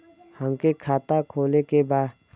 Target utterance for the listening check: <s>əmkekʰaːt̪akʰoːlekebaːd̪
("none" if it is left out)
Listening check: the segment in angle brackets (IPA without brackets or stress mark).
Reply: h